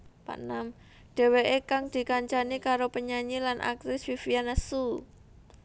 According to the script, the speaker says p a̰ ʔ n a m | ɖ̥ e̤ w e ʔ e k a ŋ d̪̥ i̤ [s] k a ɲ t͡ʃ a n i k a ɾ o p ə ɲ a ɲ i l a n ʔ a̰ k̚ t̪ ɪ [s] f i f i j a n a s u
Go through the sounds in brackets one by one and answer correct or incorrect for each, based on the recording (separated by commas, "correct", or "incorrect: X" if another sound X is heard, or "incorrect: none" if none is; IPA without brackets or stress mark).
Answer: incorrect: none, correct